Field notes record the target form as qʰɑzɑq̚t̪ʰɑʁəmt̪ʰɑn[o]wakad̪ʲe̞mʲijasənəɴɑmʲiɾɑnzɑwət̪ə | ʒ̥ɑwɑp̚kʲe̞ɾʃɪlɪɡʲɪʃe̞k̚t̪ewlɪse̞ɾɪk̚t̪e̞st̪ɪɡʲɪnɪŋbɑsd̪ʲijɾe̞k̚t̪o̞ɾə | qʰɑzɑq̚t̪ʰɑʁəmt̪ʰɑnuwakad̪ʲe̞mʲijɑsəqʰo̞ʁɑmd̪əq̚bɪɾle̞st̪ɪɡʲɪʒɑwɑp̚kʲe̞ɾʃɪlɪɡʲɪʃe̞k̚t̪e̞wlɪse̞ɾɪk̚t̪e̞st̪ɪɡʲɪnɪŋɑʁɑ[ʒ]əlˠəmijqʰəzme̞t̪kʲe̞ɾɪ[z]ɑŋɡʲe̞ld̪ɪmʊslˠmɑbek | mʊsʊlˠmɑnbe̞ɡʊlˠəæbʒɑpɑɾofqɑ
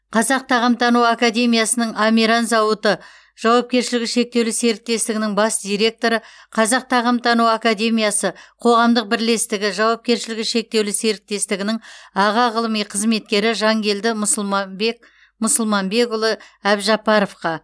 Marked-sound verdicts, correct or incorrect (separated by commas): incorrect, incorrect, incorrect